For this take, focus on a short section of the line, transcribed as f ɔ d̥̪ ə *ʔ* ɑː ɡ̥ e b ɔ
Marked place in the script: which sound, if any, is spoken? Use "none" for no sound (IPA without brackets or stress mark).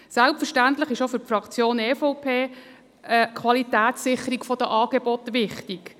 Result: ʔ